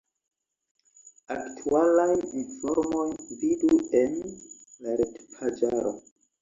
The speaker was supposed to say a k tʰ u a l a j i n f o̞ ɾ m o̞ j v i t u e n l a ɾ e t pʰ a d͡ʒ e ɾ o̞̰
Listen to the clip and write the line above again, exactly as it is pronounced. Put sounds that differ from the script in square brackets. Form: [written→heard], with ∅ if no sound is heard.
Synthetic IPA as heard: a k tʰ u a l a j i n f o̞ ɾ m o̞ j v i [t→d] u e n l a ɾ e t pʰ a d͡ʒ [e→a] ɾ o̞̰